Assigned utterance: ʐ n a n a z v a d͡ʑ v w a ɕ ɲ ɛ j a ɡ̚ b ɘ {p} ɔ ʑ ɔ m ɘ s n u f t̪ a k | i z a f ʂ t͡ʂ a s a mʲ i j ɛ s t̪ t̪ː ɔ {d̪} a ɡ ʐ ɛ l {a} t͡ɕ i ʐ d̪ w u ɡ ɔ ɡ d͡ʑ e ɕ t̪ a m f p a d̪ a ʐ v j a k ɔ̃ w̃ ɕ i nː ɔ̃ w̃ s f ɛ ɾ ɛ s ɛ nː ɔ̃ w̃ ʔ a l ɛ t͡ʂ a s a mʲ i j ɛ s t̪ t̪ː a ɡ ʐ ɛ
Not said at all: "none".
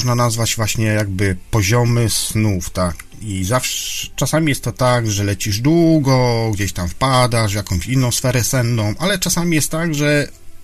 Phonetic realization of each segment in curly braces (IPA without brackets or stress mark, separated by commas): p, t̪, ɛ